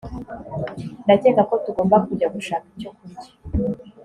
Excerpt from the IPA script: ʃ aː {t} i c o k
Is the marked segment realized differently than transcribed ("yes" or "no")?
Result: yes